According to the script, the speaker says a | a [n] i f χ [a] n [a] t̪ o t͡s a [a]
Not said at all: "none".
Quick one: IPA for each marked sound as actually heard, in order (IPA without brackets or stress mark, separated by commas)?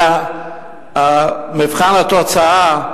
m, a, a, a